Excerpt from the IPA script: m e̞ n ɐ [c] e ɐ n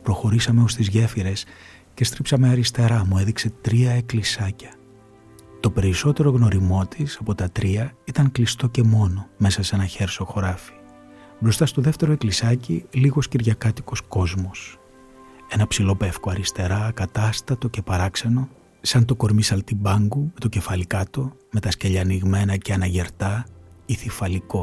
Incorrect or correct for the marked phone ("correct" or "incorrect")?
correct